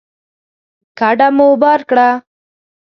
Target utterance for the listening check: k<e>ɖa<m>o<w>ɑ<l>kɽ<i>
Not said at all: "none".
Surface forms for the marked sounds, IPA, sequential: a, m, b, ɾ, a

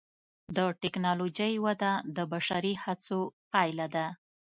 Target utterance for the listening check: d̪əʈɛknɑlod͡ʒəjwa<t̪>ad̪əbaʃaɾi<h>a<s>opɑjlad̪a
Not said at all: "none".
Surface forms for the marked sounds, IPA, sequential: d̪, h, t͡s

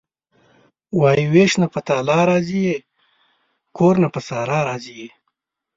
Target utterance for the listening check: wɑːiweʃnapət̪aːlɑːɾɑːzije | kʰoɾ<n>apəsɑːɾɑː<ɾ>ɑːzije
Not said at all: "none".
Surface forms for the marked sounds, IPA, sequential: n, ɾ

